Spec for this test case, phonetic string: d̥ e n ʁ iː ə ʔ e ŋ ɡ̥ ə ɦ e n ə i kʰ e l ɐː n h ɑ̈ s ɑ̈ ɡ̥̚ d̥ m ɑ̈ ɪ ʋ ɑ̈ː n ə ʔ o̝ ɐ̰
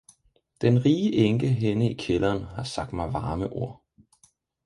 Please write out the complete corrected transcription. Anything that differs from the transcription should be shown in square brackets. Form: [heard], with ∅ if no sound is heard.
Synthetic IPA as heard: d̥ e n ʁ iː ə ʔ e ŋ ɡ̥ ə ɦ e n ə i kʰ e l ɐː n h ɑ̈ s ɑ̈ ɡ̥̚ d̥ m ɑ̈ ɪ ʋ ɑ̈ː [m] ə ʔ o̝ ɐ̰